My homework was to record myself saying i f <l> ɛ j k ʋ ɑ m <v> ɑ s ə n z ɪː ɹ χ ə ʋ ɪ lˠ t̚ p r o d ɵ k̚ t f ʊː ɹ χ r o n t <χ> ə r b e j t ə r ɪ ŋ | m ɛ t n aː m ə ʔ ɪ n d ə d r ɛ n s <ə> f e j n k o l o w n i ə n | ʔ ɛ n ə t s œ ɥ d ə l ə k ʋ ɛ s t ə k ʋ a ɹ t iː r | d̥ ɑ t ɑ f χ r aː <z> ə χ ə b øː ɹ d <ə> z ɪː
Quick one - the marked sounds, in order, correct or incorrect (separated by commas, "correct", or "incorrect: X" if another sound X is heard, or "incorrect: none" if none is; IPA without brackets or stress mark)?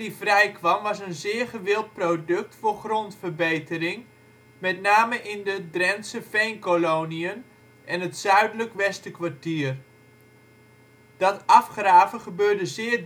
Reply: incorrect: r, incorrect: ʋ, incorrect: f, correct, incorrect: v, correct